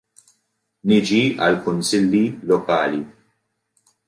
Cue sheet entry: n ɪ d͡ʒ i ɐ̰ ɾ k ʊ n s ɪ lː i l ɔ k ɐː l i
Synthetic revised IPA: n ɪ d͡ʒ i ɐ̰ l k ʊ n s ɪ lː i l ɔ k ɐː l i

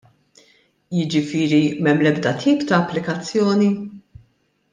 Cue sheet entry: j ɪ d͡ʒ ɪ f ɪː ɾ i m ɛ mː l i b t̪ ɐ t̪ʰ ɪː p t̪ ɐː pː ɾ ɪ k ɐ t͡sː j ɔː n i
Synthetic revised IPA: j ɪ d͡ʒ ɪ f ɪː ɾ i m ɛ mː l ɛ b d̪ ɐ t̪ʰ iː p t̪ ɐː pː l ɪ k ɐ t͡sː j ɔː n i

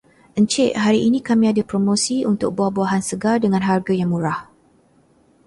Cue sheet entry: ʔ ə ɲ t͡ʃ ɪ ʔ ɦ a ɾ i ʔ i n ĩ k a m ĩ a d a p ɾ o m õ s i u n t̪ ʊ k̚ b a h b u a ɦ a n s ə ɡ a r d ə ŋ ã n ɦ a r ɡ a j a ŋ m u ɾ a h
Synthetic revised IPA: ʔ ə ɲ t͡ʃ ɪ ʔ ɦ a ɾ i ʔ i n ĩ k a m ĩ a d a p ɾ o m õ s i u n t̪ ʊ k̚ b a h b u a ɦ a n s ə ɡ a r d ə ŋ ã n ɦ a r ɡ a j a ŋ m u ɾ a h

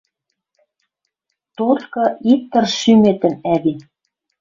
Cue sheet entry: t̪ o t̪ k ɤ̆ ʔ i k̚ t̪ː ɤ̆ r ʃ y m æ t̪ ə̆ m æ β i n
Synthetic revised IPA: t̪ o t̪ k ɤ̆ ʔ i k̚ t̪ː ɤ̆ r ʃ y m e t̪ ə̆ m æ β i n

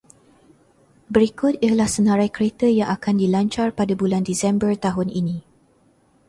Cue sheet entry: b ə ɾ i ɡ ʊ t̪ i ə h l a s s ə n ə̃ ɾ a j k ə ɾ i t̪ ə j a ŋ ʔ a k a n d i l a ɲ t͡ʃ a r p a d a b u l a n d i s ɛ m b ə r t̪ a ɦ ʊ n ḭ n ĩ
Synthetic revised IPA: b ə ɾ i k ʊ t̪ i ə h l a h s ə n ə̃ ɾ a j k ə ɾ e t̪ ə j a ŋ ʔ a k a n d i l a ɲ t͡ʃ a r p a d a b u l a n d i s ɛ m b ə r t̪ a ɦ ʊ n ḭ n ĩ

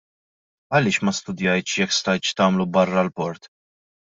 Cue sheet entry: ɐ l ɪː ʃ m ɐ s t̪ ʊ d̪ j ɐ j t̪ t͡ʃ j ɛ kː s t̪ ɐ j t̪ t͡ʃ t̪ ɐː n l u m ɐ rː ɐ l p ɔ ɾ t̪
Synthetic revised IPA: ɐ l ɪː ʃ m ɐ s t̪ ʊ d̪ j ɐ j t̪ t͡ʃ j ɛ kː s t̪ ɐ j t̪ t͡ʃ t̪ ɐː m l u b ɐ rː ɐ l p ɔ ɾ t̪

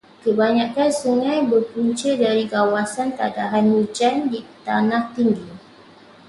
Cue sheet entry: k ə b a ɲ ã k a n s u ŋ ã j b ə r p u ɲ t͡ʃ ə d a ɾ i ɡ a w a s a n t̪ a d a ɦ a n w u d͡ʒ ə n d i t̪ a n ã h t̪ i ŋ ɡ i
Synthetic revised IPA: k ə b a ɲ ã k a n s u ŋ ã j b ə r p u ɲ t͡ʃ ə d a ɾ i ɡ a w a s a n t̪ a d a ɦ a n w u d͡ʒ a n d i t̪ a n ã h t̪ i ŋ ɡ i

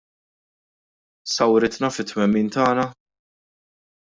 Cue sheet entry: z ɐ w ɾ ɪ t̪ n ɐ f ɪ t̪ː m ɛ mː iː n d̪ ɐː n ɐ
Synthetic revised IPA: s ɐ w ɾ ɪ t̪ n ɐ f ɪ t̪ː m ɛ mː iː n t̪ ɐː n ɐ

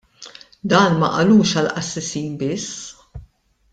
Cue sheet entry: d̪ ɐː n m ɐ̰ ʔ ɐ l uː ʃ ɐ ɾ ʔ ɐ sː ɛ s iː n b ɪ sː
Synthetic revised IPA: d̪ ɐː n m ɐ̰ ʔ ɐ l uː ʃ ɐ l ʔ ɐ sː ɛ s iː n b ɪ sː

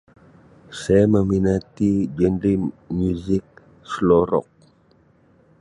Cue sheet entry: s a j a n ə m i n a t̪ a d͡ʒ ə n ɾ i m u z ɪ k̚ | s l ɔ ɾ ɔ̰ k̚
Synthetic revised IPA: s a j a m ə m i n a t̪ i d͡ʒ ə n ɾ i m u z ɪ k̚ | s l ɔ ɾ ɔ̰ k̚

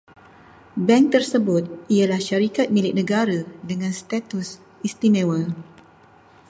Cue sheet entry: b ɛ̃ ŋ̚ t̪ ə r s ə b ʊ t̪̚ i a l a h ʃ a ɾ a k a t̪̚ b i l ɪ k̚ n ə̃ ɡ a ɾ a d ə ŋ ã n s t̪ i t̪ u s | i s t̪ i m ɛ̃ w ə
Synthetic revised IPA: b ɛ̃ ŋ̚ t̪ ə r s ə b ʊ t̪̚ i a l a h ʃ a ɾ i k a t̪̚ m i l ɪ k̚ n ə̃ ɡ a ɾ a d ə ŋ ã n s t̪ a t̪ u s | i s t̪ i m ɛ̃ w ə

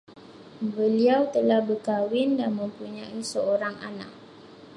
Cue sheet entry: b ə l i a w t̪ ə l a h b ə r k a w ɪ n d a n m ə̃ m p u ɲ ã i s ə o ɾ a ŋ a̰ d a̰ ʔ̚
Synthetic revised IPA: b ə l i a w t̪ ə l a h b ə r k a w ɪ n d a n m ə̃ m p u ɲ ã i s ə o ɾ a ŋ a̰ n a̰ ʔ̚

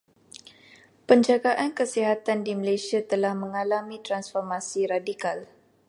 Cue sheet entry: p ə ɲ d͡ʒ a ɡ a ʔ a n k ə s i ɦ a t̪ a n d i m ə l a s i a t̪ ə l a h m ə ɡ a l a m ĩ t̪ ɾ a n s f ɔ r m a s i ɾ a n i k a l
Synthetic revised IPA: p ə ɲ d͡ʒ a ɡ a ʔ a n k ə s i ɦ a t̪ a n d i m ə l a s i a t̪ ə l a h m ə ŋ a l a m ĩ t̪ ɾ a n s f ɔ r m a s i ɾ a d i k a l

